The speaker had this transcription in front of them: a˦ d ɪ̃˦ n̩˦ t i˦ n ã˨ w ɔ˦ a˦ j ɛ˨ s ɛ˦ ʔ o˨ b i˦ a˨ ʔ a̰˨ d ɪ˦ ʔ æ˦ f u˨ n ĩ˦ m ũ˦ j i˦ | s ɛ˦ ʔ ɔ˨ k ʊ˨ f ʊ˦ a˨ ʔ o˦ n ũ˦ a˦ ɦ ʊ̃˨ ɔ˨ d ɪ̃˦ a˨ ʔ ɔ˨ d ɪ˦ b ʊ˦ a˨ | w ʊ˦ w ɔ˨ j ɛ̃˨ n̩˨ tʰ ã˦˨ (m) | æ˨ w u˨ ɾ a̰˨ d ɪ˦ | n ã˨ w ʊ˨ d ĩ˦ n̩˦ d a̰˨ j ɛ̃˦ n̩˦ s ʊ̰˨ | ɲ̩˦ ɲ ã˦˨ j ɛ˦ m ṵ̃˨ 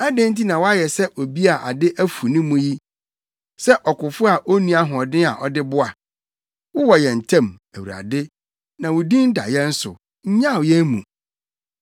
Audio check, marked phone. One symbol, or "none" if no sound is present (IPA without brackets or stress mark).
m